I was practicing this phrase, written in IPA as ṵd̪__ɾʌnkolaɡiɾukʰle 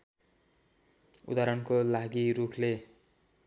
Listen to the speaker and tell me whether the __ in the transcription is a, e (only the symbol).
a